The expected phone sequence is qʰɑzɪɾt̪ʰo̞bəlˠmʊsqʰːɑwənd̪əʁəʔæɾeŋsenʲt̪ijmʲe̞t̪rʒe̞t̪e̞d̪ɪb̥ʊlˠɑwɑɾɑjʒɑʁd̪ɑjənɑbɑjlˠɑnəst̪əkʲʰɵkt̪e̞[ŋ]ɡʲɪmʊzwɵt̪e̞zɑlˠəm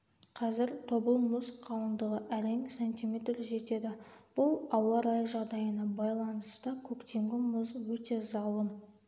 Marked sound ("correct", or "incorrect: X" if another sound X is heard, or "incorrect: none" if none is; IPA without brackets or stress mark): correct